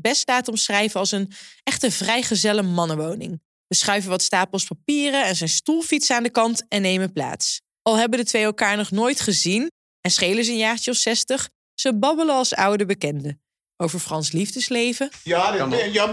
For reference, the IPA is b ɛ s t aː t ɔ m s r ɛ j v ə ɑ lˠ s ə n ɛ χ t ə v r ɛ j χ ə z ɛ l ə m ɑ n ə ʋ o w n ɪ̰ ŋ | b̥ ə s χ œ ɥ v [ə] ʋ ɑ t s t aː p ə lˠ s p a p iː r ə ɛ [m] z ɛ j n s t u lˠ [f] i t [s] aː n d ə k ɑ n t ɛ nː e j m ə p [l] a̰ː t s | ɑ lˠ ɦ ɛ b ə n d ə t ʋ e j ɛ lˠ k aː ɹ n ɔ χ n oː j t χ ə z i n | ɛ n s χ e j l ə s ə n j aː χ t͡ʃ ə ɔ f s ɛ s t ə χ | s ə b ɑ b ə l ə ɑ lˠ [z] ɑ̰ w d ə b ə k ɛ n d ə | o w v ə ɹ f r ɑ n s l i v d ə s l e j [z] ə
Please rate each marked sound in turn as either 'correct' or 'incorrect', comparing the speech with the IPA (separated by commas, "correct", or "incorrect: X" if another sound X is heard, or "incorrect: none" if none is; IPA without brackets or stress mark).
correct, incorrect: n, correct, correct, correct, incorrect: s, incorrect: v